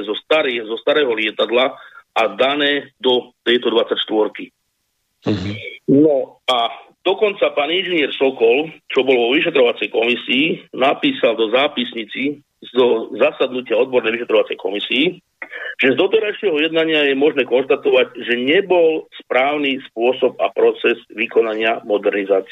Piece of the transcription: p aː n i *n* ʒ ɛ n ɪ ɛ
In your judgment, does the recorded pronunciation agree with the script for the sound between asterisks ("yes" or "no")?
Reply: yes